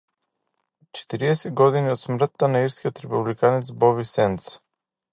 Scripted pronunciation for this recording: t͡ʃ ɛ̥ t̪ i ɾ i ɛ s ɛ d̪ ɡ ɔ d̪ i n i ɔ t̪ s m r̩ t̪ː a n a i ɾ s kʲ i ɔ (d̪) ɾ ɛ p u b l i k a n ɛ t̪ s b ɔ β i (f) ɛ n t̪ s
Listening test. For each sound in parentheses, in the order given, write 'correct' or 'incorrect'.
incorrect, incorrect

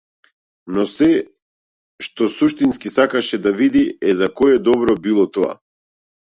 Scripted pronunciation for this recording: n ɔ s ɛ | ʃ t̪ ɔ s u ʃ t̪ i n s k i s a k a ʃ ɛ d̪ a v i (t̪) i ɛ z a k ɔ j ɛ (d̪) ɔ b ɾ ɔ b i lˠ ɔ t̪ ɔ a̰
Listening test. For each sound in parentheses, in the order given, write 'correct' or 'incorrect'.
incorrect, correct

